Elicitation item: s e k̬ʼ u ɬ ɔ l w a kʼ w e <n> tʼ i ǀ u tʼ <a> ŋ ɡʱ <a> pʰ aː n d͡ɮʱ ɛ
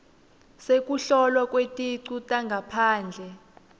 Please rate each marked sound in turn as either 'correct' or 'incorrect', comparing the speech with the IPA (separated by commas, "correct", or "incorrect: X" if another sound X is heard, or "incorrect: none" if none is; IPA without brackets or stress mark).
incorrect: none, correct, correct